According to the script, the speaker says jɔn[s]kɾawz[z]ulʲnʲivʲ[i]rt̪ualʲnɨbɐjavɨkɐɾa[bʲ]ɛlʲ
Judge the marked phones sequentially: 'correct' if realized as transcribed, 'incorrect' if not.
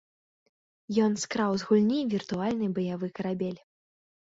correct, incorrect: ɣ, correct, correct

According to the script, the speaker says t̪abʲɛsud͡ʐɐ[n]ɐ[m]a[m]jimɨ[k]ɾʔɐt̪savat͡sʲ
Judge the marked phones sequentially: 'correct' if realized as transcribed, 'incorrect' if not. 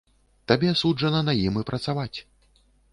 correct, incorrect: n, incorrect: none, incorrect: p

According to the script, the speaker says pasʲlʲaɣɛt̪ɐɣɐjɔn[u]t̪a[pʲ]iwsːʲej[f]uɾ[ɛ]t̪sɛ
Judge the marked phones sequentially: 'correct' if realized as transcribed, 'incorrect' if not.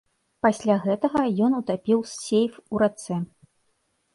correct, correct, correct, incorrect: a

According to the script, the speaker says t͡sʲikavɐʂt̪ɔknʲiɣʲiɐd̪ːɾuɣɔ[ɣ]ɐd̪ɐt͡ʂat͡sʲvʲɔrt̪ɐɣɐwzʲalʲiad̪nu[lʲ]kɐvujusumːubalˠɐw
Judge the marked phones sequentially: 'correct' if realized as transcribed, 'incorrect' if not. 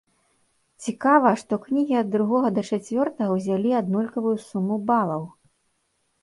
correct, correct

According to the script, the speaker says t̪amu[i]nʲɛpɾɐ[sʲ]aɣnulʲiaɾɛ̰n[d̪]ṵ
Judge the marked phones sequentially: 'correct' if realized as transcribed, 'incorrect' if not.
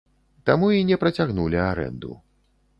correct, incorrect: t͡sʲ, correct

